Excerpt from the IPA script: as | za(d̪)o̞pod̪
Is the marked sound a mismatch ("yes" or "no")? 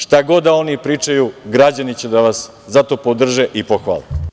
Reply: yes